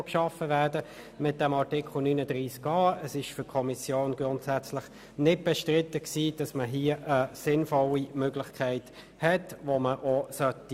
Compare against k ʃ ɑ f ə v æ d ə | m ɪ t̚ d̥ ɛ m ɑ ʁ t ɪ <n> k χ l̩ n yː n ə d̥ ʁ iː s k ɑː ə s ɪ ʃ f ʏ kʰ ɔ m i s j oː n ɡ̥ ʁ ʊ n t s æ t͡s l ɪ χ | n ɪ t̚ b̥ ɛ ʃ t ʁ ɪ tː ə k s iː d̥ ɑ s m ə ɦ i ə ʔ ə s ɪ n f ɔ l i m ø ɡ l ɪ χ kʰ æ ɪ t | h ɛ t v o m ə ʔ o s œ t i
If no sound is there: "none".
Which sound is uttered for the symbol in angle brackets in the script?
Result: none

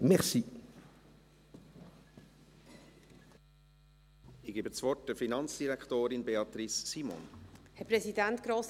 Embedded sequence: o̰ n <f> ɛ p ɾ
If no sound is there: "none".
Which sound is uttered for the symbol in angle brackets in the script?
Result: h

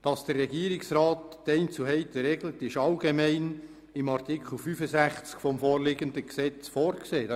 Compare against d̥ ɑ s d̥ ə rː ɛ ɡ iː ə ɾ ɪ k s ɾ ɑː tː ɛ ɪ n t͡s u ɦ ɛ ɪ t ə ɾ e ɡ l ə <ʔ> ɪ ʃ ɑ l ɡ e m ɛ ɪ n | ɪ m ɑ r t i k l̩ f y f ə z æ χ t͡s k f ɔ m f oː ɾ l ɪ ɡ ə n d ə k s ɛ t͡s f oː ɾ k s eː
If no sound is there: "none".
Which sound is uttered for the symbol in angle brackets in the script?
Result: t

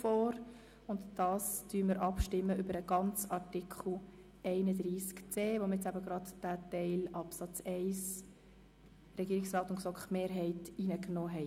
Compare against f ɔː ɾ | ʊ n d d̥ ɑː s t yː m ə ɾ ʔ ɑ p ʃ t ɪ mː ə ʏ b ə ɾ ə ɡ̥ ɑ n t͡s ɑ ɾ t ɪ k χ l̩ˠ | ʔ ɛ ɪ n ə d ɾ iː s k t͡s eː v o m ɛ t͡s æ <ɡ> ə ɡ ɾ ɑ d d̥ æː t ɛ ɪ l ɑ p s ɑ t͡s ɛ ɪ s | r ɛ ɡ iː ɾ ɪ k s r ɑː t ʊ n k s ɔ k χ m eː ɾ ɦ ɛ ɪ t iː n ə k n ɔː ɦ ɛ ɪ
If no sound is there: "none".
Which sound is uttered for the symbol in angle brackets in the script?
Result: b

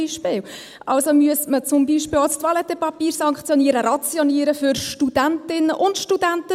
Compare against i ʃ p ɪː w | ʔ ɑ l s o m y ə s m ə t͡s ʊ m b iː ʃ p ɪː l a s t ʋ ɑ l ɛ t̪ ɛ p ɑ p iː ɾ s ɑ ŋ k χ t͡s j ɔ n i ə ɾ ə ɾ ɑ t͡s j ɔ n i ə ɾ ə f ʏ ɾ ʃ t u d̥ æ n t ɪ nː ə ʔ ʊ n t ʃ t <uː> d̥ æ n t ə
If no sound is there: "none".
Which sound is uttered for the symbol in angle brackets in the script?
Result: u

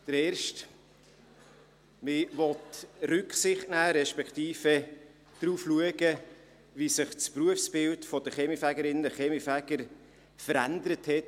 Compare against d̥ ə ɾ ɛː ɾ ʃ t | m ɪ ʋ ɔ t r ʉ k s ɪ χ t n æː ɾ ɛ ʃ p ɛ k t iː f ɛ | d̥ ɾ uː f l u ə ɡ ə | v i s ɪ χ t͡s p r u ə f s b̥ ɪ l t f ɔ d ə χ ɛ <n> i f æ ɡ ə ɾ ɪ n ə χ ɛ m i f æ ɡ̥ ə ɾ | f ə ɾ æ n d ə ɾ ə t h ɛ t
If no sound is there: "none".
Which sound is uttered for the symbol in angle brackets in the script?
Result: m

